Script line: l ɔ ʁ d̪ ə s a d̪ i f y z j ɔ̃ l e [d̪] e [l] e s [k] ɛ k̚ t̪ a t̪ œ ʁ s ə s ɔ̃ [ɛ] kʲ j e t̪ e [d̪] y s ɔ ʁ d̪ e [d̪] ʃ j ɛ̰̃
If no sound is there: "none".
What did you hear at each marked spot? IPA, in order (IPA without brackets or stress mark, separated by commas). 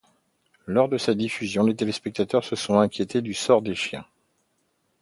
t̪, l, p, ɛ̃, d̪, none